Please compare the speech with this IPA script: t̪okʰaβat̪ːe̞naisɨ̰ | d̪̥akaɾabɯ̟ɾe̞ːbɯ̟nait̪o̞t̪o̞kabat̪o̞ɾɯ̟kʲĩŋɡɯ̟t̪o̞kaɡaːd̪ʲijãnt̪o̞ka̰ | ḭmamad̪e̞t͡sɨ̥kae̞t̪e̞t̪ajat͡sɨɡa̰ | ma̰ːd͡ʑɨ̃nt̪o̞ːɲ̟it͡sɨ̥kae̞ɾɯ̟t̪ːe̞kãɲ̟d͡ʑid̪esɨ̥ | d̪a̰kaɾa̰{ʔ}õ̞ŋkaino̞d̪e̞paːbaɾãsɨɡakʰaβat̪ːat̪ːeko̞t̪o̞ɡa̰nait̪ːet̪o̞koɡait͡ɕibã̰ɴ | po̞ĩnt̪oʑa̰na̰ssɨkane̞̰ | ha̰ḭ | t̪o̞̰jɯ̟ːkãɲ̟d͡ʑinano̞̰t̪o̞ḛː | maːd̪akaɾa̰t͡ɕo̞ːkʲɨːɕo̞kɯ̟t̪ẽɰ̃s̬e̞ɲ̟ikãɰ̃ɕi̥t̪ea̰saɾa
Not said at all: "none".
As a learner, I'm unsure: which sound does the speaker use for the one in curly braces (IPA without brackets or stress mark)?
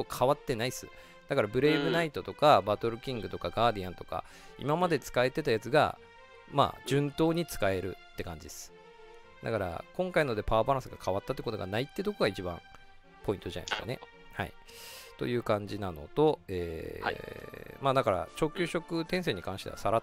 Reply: k